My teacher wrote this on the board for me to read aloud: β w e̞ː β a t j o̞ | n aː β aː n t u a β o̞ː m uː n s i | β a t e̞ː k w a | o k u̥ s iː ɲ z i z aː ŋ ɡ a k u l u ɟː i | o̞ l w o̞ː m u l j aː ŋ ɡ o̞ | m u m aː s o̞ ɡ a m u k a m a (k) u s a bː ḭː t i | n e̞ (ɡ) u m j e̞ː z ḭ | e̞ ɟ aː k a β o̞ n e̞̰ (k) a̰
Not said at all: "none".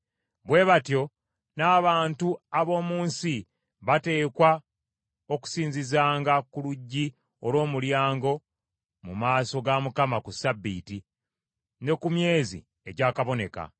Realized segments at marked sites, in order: k, k, k

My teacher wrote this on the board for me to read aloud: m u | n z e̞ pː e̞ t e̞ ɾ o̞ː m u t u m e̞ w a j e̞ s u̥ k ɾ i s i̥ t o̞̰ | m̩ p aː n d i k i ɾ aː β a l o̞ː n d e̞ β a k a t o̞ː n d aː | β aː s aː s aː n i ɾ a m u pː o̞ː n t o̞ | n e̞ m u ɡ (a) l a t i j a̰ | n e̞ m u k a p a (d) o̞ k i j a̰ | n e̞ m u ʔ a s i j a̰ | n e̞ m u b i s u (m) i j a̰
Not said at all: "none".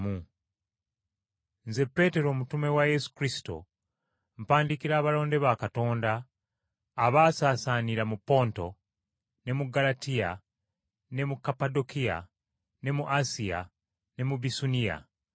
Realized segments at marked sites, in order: a, d, n

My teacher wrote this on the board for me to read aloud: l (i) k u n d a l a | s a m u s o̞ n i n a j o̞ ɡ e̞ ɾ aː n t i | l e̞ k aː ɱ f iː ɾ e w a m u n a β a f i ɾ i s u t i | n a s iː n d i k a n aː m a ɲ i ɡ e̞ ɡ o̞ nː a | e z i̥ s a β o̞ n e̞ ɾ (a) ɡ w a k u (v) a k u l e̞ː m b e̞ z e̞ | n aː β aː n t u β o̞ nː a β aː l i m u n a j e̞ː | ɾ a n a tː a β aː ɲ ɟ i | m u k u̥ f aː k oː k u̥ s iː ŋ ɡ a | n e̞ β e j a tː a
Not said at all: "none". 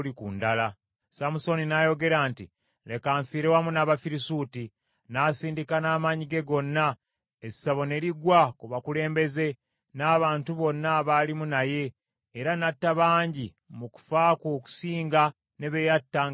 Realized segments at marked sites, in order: i, i, β

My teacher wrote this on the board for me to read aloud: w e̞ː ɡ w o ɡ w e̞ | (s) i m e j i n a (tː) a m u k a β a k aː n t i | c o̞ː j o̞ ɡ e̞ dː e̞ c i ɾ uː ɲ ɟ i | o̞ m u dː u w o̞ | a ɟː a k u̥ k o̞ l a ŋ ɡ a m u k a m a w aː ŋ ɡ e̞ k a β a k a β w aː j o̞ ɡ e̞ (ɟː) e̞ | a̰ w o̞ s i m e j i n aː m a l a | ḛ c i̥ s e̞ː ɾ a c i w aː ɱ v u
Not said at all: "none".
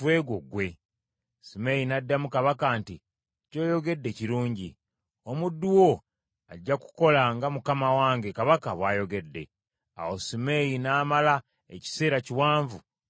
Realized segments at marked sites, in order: s, dː, dː

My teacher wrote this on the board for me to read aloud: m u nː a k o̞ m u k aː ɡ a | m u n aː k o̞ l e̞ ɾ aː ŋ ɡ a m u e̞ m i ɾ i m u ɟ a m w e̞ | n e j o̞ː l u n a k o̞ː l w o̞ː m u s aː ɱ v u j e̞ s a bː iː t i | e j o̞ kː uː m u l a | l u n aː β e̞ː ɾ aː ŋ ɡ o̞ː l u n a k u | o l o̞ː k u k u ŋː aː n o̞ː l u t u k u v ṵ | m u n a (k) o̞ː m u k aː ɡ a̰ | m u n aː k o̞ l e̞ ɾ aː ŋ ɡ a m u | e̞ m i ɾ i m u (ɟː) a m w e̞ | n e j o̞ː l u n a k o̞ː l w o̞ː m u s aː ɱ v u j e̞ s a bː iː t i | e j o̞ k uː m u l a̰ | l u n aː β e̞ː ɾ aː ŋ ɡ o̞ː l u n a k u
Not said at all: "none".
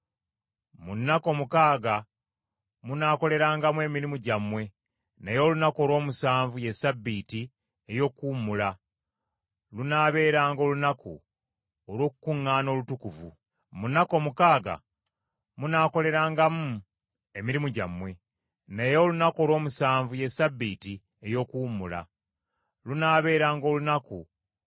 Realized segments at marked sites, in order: k, ɟ

